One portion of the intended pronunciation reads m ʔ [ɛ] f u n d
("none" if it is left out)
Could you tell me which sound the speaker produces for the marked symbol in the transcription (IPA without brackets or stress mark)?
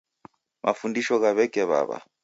a